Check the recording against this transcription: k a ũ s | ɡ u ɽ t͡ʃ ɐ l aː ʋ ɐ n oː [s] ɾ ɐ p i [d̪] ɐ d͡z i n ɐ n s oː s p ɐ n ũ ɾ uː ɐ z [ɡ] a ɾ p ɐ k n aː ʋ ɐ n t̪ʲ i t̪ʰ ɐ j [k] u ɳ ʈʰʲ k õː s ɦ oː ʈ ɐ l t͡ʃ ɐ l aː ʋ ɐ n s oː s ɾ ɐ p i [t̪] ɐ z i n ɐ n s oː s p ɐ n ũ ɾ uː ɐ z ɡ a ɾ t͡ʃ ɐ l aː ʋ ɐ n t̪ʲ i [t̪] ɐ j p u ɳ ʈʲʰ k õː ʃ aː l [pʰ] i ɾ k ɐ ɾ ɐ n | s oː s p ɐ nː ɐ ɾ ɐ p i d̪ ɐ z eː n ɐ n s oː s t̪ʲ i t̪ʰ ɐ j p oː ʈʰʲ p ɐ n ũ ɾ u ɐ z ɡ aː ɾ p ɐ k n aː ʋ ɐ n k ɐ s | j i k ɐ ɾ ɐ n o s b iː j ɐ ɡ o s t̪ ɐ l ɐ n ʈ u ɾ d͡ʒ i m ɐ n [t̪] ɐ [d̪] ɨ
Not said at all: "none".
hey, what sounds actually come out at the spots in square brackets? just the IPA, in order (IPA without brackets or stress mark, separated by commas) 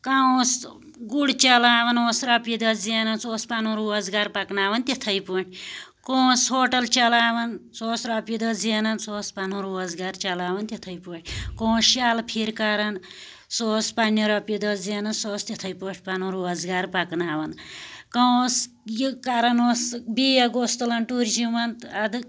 s, d̪, ɡ, p, d̪, t̪ʰ, pʰ, t̪, d̪